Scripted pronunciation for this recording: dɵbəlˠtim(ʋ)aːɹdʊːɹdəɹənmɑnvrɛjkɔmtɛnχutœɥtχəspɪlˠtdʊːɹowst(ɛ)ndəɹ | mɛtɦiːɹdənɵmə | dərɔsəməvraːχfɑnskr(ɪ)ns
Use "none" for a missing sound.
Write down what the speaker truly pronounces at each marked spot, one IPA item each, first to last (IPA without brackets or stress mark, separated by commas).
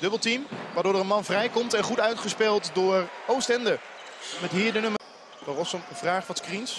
ʋ, ɛ, i